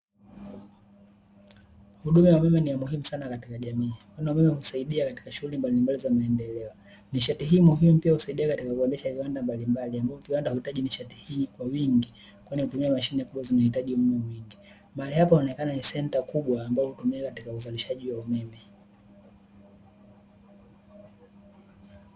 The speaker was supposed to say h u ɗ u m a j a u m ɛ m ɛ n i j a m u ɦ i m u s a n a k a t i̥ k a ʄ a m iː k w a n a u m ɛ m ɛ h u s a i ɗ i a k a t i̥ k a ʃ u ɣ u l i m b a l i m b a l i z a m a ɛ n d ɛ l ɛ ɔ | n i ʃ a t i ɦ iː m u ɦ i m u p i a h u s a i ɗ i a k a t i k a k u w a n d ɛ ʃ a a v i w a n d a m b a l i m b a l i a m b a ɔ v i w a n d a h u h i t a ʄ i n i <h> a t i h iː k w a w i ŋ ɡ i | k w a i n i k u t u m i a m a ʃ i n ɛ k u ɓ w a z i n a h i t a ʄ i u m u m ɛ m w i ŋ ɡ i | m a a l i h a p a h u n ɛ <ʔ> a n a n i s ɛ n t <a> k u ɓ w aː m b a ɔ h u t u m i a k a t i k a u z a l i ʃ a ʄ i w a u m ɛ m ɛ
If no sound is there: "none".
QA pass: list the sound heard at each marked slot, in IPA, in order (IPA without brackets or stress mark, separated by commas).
ʃ, k, a